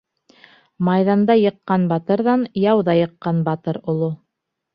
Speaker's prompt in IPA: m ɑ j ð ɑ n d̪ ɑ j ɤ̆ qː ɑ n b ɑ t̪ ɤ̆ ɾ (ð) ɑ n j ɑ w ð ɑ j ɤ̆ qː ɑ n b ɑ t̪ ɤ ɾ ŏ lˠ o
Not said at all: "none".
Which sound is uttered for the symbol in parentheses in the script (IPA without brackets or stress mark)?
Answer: ð